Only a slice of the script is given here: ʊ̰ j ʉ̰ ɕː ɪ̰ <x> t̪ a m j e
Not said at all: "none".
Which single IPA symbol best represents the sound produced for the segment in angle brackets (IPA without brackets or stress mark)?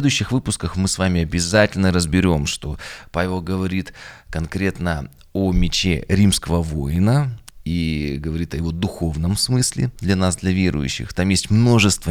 x